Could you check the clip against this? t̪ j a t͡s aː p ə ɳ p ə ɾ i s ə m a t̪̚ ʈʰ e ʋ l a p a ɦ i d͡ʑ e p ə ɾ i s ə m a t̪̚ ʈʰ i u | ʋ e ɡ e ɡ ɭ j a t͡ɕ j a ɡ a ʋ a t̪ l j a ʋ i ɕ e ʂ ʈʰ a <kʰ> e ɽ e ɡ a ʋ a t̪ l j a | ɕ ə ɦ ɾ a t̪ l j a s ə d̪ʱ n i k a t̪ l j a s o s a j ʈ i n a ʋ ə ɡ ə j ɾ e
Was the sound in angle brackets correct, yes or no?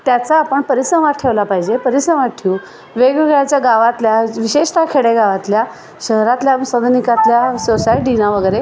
yes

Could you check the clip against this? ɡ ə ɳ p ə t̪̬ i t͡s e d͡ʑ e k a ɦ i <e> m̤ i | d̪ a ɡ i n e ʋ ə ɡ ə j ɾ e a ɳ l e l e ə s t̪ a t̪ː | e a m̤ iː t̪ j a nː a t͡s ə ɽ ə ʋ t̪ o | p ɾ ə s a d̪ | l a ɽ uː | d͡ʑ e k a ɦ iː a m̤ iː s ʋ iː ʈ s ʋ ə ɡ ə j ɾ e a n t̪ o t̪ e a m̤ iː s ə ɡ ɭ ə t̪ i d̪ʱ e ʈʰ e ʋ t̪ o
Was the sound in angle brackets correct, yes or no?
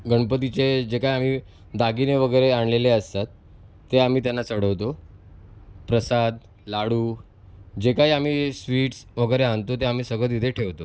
no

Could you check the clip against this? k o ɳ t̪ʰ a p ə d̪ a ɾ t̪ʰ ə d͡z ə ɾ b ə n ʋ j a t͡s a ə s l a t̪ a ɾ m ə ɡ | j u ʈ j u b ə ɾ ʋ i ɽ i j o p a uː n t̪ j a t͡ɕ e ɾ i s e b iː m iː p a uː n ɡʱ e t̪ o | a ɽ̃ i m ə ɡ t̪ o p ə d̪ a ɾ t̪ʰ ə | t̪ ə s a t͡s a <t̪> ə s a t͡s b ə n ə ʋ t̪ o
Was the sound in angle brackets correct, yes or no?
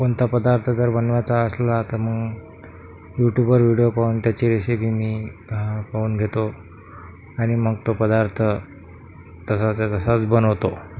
yes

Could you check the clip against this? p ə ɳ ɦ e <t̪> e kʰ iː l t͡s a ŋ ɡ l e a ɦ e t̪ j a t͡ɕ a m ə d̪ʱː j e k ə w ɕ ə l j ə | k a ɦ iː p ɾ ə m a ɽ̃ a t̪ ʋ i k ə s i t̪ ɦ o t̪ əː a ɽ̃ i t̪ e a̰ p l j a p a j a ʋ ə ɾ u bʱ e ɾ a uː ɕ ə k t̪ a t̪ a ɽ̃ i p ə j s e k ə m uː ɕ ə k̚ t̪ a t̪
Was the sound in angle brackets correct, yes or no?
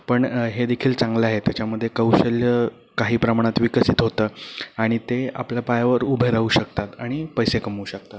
no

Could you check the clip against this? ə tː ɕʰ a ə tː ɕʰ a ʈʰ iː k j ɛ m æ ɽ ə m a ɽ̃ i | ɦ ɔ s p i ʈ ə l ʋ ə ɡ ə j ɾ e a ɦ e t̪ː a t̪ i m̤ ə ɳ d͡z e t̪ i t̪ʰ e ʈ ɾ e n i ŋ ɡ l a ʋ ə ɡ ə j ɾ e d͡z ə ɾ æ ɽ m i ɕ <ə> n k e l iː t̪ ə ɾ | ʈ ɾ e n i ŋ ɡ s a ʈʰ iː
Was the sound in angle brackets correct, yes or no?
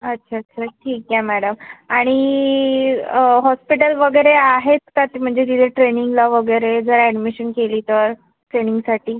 yes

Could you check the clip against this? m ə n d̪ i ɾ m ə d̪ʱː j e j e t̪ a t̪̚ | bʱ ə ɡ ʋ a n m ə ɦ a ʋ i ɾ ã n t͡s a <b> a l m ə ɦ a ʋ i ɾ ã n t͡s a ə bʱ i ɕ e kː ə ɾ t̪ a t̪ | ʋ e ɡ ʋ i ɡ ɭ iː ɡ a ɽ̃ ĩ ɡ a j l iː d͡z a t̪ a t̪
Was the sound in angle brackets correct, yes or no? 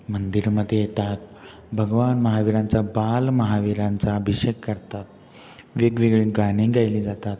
yes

